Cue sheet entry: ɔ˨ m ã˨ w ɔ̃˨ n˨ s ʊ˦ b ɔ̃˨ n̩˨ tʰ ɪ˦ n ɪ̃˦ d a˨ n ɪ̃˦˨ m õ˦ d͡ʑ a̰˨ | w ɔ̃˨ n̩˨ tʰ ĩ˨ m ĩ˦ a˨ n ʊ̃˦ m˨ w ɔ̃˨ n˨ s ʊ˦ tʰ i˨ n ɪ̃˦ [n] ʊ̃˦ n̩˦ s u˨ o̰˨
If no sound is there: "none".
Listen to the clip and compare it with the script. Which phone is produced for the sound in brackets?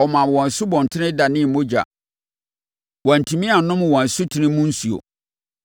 m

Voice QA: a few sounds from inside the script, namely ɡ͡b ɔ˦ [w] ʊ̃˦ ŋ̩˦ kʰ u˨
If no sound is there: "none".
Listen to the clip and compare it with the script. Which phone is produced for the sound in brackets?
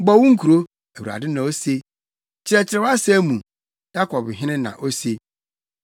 w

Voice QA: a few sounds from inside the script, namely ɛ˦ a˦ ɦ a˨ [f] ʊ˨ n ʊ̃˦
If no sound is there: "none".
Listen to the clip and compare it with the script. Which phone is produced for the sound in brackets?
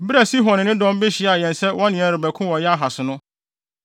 s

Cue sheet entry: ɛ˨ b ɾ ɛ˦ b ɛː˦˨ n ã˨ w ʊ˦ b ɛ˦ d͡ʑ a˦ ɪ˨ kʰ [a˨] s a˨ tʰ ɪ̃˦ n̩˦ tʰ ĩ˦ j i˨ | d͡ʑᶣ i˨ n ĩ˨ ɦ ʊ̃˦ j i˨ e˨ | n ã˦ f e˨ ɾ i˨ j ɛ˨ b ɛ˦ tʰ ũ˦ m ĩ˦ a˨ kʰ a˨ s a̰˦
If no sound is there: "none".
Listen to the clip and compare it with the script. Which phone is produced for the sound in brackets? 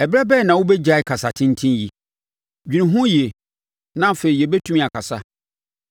a˨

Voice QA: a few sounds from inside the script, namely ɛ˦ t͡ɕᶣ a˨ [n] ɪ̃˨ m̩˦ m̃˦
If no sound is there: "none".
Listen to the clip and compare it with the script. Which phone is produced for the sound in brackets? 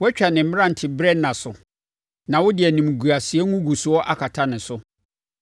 n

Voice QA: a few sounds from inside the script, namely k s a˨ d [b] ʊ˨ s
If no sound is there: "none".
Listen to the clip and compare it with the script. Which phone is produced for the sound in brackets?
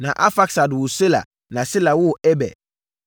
w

